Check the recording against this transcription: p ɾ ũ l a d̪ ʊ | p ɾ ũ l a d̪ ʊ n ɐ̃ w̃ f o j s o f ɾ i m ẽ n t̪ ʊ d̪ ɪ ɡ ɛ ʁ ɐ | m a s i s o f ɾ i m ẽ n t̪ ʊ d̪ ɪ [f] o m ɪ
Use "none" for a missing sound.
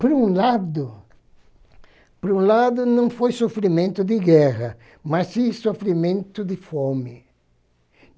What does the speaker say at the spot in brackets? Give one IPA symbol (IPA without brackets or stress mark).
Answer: f